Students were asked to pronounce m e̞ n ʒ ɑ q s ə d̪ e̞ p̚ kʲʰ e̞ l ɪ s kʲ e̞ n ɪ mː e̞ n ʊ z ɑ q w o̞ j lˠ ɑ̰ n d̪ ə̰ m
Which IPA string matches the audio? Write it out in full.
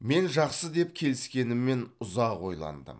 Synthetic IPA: m e̞ n ʒ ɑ q s ə d̪ e̞ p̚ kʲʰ e̞ l ɪ s kʲ e̞ n ɪ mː e̞ n ʊ z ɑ q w o̞ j lˠ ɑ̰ n d̪ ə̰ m